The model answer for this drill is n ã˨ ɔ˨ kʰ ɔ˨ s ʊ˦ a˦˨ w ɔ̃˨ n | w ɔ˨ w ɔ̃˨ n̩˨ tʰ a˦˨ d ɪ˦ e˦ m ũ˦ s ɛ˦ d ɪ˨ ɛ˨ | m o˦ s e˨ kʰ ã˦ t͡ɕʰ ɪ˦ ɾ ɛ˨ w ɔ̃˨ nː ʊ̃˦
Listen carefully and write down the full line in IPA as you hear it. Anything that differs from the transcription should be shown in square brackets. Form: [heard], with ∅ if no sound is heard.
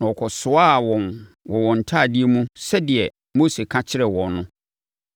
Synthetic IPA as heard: n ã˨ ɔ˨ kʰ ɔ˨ s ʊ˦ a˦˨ w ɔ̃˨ n | w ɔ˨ w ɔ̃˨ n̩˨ tʰ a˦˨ d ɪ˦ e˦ m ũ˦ s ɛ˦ d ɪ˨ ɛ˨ | m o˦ s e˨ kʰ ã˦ t͡ɕʰ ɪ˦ ɾ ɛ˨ w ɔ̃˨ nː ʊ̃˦